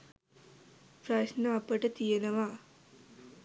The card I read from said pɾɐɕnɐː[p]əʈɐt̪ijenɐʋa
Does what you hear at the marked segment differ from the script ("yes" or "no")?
no